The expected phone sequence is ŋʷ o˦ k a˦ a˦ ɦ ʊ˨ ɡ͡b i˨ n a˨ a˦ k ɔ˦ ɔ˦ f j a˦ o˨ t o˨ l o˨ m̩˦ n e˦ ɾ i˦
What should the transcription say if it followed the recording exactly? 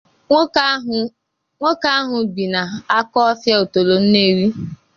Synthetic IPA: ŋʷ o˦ k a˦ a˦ ɦ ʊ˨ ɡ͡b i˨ n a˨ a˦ k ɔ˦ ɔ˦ f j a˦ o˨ t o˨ l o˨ n̩˦ n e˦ ɾ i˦